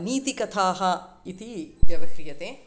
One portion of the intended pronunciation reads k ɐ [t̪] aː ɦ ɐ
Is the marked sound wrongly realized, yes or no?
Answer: yes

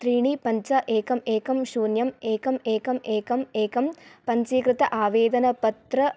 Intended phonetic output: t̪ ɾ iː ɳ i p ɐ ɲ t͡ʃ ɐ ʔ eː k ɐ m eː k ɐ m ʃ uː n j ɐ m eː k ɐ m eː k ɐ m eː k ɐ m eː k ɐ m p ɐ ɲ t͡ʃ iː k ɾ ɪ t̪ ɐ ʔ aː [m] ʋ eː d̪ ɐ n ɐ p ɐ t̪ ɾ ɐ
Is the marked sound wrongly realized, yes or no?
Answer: yes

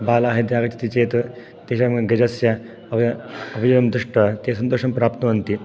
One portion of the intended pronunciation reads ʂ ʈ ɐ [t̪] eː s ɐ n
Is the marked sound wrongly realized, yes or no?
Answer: no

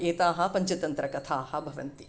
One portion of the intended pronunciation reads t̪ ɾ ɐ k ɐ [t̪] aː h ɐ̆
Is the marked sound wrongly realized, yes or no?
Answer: yes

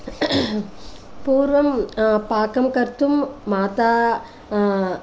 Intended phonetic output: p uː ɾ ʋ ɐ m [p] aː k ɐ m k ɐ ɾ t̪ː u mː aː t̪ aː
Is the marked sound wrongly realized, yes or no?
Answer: no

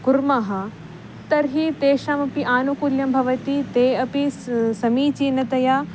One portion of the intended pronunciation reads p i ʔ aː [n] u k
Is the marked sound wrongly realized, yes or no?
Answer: no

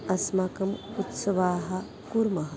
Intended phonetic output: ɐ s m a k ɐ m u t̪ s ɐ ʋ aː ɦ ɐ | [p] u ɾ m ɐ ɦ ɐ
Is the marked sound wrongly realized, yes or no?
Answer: yes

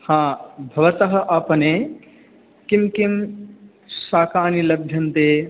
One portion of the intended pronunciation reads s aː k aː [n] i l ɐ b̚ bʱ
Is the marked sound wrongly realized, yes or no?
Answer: no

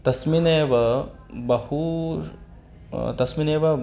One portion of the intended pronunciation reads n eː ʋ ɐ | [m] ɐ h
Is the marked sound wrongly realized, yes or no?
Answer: yes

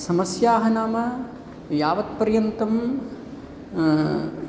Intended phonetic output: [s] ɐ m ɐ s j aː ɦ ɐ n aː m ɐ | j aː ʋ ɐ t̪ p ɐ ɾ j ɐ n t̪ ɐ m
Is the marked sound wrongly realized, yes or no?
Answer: no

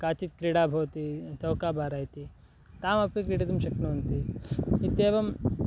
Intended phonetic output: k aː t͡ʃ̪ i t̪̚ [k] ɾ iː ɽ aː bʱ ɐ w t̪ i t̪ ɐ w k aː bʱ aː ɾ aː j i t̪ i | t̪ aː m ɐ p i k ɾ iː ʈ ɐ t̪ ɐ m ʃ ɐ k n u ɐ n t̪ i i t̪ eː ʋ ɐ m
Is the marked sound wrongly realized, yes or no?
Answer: no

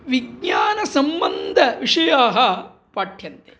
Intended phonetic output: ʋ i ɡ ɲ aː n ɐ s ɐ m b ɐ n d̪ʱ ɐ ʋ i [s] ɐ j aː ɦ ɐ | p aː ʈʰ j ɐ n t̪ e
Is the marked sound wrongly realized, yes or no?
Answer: yes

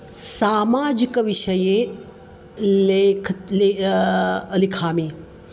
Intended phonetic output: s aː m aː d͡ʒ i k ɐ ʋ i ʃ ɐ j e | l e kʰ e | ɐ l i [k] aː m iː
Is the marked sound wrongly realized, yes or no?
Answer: yes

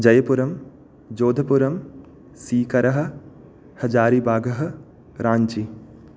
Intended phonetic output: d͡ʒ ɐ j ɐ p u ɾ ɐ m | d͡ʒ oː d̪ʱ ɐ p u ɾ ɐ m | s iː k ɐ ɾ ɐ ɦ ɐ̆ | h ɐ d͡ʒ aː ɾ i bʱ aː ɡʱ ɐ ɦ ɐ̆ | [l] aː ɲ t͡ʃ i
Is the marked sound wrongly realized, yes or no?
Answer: yes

